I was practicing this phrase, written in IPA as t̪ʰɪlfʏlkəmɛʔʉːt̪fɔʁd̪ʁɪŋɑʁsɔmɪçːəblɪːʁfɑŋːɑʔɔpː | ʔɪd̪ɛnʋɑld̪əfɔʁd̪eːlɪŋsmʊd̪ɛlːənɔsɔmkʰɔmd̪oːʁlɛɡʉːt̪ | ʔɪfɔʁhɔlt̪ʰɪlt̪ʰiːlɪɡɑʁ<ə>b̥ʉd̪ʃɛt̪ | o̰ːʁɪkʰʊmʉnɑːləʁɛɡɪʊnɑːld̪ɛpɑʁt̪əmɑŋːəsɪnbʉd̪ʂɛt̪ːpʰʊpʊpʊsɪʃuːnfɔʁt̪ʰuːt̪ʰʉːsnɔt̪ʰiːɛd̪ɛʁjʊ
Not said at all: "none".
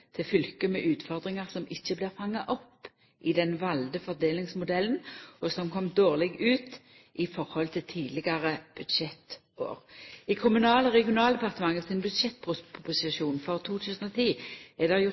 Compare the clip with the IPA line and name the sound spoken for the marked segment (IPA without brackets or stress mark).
ə